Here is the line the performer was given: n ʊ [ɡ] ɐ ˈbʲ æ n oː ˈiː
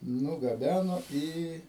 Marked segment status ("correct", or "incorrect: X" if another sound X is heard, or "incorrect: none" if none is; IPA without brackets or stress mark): correct